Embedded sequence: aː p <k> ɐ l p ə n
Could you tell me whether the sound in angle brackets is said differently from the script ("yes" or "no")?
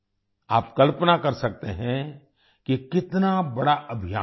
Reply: no